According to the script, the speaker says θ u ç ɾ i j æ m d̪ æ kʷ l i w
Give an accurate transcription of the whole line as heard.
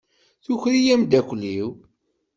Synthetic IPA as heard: θ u ç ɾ i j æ m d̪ æ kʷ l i w